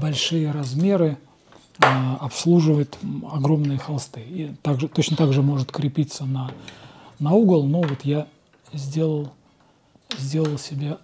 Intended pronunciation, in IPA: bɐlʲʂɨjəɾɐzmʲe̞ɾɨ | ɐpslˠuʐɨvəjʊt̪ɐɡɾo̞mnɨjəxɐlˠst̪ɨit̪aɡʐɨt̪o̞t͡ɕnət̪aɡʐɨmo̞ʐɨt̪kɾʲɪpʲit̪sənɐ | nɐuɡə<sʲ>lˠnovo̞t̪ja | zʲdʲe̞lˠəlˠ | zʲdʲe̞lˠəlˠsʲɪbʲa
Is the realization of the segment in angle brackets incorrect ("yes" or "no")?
yes